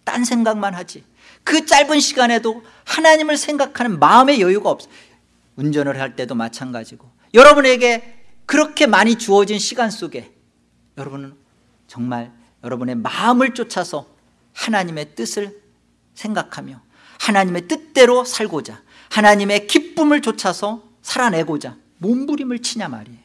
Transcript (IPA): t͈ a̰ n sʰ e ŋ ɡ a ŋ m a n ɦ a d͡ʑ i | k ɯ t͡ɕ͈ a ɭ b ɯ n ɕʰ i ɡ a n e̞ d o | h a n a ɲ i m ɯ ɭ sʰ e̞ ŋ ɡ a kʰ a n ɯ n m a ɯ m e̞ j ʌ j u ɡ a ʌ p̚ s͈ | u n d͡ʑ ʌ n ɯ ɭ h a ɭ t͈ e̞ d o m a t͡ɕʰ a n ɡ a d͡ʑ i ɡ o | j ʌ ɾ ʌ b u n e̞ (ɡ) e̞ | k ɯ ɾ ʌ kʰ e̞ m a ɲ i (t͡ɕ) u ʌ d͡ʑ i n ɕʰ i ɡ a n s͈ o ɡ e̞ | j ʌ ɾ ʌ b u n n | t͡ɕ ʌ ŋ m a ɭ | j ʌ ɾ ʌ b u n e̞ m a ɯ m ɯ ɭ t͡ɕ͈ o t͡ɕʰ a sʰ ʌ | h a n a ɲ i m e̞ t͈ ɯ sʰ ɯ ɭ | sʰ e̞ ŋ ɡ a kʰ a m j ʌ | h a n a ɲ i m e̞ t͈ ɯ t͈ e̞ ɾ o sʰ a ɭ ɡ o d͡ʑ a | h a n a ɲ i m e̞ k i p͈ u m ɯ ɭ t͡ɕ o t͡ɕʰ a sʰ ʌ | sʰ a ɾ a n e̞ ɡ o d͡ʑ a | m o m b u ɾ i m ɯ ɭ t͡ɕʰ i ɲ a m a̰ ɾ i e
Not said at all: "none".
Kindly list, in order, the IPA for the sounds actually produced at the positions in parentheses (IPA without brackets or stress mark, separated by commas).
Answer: ɡ, t͡ɕ